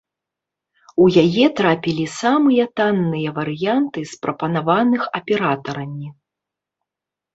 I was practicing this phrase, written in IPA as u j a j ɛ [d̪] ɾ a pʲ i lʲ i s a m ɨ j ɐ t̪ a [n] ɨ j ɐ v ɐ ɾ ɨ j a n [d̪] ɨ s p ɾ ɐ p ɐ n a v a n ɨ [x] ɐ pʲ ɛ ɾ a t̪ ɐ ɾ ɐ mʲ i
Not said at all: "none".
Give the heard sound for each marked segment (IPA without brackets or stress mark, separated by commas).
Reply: t̪, nː, t̪, x